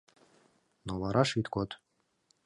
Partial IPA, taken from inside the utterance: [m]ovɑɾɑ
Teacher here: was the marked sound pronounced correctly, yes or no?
no